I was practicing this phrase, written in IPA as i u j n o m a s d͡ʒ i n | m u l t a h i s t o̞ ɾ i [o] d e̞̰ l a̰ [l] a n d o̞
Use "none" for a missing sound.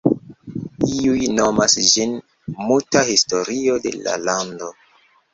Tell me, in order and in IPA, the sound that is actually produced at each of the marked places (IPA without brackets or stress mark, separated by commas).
o, l